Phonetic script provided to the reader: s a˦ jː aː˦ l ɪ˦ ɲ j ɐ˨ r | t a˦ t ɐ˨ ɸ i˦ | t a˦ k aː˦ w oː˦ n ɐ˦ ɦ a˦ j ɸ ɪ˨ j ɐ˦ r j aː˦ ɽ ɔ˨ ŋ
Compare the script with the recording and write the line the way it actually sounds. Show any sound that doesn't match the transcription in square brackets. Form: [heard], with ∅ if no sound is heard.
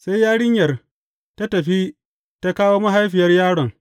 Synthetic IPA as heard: s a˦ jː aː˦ [ɽ] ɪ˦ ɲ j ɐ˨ r | t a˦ t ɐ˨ ɸ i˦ | t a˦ k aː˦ w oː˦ [m] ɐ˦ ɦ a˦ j ɸ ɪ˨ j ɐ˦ r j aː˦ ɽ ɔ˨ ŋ